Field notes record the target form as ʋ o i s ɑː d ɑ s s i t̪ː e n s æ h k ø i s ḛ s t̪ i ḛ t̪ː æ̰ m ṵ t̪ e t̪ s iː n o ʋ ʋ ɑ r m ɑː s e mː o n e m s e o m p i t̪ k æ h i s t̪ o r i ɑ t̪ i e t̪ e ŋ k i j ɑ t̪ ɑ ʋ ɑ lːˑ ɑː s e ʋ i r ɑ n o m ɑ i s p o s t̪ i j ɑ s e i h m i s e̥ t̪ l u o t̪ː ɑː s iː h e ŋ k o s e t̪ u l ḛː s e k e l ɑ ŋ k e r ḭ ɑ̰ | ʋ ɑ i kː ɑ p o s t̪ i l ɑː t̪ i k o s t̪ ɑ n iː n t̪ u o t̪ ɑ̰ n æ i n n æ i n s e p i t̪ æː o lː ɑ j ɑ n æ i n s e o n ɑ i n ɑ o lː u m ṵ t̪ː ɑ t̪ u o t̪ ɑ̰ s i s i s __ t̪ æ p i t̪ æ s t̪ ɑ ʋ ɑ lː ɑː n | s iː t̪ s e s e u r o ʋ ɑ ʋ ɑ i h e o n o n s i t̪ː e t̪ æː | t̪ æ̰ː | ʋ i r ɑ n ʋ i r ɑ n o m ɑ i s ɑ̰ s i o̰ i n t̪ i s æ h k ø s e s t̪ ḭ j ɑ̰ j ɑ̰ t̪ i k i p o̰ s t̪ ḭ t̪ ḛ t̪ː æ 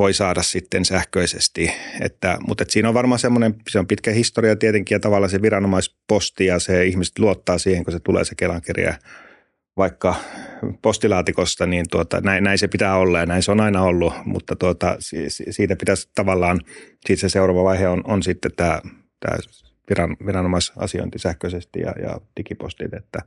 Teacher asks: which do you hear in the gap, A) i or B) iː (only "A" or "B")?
B